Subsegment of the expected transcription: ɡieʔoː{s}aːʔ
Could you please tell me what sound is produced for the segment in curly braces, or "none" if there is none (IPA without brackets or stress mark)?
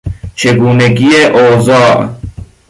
z